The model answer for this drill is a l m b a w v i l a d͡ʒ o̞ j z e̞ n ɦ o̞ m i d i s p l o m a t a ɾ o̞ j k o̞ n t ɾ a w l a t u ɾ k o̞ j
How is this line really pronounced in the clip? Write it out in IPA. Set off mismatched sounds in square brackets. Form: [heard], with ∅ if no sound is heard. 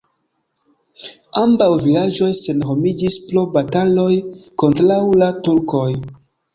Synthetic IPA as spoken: a [∅] m b a w v i l a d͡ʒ o̞ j [s] e̞ n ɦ o̞ m i [d͡ʒ] i s p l o [b] a t a [l] o̞ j k o̞ n t ɾ a w l a t u ɾ k o̞ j